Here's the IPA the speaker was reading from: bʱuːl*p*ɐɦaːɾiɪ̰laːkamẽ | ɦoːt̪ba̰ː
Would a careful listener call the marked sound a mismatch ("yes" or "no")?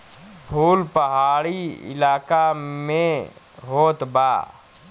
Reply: no